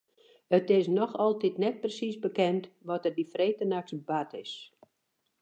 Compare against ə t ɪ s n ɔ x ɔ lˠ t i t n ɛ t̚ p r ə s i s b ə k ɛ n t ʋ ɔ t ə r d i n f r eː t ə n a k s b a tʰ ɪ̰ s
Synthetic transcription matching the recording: ə t ɪ s n ɔ x ɔ lˠ t i t n ɛ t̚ p r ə s i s b ə k ɛ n t ʋ ɔ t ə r d i f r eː t ə n a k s b a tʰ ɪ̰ s